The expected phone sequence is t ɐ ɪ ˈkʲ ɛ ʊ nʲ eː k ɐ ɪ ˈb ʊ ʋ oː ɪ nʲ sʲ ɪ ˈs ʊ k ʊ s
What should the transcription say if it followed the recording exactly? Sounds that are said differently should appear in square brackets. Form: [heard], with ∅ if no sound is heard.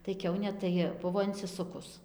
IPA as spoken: t ɐ ɪ ˈkʲ ɛ ʊ nʲ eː [t] ɐ ɪ ˈb ʊ ʋ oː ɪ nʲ sʲ ɪ ˈs ʊ k ʊ s